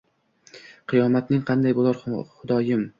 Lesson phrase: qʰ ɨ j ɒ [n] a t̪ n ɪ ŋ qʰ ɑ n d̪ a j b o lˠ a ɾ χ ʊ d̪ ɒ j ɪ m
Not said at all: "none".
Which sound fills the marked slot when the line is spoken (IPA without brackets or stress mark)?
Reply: m